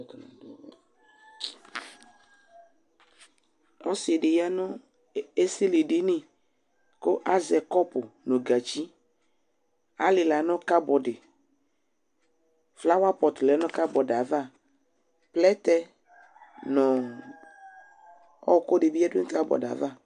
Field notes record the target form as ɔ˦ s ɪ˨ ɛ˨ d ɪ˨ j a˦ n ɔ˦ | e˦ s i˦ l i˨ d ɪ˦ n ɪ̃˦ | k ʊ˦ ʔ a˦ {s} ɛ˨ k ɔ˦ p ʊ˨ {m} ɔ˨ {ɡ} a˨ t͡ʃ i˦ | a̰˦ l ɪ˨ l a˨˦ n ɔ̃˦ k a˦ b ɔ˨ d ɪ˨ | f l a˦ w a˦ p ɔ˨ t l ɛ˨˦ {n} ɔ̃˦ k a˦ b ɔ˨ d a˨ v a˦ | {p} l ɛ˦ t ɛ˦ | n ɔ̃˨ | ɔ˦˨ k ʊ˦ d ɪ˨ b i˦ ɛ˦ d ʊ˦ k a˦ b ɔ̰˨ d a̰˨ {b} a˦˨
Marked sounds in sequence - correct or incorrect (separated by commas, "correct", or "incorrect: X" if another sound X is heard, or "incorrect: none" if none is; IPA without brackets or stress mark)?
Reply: incorrect: z, incorrect: n, correct, correct, correct, incorrect: v